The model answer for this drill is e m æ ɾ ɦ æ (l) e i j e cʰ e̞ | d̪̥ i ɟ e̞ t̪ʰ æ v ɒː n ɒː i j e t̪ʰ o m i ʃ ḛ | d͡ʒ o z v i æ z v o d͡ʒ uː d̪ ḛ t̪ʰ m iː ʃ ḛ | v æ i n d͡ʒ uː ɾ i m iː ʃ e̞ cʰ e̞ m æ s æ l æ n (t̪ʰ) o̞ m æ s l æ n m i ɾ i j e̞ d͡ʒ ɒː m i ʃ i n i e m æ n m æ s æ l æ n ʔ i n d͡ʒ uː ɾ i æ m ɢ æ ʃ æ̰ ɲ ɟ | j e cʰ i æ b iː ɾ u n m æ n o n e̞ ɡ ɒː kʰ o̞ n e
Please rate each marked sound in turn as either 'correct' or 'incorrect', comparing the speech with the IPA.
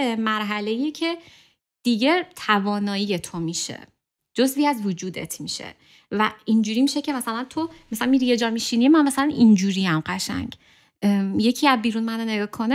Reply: correct, correct

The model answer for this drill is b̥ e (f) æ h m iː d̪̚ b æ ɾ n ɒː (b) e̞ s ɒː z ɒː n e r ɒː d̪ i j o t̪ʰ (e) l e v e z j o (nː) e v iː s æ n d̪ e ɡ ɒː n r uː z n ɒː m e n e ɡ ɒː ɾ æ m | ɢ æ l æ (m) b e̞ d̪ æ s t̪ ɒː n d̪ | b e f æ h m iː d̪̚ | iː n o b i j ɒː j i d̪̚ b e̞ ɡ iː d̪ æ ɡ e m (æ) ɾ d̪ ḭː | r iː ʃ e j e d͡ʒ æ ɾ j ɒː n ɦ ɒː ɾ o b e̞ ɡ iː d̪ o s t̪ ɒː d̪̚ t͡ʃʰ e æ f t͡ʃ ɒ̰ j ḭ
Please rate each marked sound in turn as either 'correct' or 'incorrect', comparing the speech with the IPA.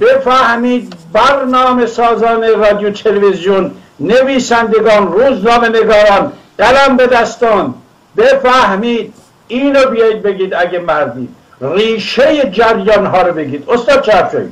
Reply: correct, incorrect: m, correct, correct, correct, correct

